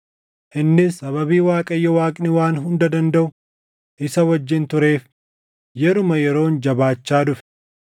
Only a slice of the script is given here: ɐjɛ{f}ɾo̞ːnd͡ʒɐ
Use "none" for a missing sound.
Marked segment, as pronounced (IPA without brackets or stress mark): none